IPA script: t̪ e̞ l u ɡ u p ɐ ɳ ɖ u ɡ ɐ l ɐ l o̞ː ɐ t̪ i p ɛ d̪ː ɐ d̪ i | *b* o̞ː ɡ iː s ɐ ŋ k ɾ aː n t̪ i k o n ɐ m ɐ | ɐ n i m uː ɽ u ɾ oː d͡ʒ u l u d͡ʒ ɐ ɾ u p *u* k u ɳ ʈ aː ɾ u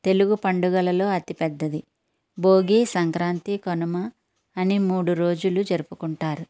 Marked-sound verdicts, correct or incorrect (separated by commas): correct, correct